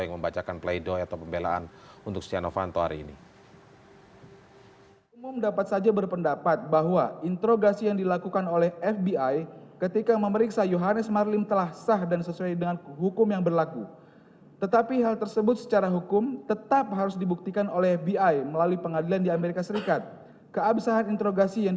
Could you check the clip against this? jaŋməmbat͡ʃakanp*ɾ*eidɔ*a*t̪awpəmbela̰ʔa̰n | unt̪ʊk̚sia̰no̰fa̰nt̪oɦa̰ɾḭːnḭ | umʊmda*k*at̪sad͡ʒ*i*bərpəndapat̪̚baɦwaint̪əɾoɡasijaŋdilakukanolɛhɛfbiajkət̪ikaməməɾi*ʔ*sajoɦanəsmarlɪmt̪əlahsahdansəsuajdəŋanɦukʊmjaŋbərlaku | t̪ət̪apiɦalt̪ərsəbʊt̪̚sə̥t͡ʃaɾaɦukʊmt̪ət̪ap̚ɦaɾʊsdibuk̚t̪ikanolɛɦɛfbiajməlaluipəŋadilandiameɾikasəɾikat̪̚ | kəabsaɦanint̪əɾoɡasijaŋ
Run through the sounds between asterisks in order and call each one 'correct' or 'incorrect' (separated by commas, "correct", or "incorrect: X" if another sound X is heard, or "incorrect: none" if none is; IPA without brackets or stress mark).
incorrect: l, correct, incorrect: p, incorrect: a, incorrect: k